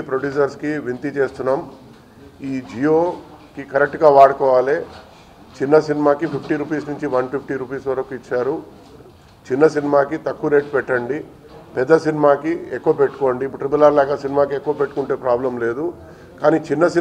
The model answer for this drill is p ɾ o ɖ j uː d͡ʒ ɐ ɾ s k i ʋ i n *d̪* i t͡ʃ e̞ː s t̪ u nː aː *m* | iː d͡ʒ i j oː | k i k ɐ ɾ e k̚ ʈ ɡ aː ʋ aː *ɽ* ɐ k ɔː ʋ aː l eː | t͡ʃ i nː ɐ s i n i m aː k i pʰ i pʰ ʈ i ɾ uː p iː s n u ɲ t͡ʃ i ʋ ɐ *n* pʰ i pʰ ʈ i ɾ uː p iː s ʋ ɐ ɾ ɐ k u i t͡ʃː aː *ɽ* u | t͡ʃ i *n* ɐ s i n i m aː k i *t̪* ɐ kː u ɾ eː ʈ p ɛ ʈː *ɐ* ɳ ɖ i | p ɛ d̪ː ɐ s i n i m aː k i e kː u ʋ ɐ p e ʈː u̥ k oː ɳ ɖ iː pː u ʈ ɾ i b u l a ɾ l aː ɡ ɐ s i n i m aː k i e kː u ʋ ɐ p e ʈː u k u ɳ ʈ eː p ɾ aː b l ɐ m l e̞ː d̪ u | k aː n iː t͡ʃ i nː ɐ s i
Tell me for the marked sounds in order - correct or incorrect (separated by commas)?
incorrect, correct, correct, correct, incorrect, incorrect, correct, correct